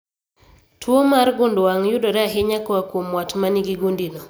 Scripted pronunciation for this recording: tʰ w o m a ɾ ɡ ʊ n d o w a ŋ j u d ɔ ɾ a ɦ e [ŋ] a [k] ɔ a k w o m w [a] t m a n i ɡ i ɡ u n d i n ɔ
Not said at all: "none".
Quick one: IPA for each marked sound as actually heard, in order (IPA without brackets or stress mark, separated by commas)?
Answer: ɲ, k, a